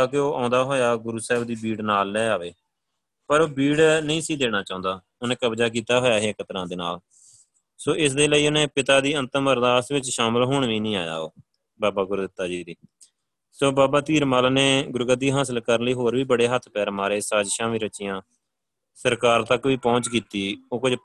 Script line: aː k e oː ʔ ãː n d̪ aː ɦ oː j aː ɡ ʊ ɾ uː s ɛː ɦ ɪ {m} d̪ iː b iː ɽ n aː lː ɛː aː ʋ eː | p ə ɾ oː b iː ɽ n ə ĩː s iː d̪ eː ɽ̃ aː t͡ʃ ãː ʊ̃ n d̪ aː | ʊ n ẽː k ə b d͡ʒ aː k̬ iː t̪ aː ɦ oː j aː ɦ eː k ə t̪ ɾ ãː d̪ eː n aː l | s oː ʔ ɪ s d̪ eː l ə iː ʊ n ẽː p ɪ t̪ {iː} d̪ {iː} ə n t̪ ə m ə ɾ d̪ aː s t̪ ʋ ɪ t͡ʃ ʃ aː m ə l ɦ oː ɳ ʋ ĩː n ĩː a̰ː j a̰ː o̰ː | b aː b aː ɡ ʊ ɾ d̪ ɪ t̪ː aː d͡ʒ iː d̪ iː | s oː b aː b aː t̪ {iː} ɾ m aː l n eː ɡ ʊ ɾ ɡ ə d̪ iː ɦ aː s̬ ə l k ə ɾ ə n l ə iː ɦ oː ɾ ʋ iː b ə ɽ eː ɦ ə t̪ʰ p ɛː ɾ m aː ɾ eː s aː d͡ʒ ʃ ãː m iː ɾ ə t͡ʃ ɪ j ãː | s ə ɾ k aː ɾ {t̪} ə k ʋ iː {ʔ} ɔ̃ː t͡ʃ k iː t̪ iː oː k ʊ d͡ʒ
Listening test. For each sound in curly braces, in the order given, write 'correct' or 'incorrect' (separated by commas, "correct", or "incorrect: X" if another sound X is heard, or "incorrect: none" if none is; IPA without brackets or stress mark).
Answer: incorrect: b, incorrect: aː, correct, correct, correct, incorrect: p